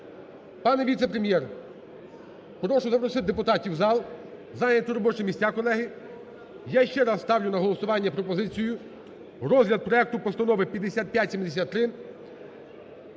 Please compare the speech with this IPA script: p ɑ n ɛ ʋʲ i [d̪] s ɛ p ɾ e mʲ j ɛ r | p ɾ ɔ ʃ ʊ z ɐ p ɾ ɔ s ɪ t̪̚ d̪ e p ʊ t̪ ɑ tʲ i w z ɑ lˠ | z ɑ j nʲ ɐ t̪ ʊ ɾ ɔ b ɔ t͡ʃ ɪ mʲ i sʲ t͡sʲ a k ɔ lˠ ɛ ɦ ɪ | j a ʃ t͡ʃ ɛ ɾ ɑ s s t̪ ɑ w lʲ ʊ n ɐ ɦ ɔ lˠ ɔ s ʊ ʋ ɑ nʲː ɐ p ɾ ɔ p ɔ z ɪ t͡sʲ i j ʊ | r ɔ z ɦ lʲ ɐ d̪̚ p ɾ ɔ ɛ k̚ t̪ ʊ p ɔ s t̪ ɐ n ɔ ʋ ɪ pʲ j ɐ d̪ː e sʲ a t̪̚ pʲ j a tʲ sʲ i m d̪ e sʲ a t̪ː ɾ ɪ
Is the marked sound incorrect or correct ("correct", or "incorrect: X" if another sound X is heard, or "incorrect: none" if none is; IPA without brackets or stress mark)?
incorrect: t̪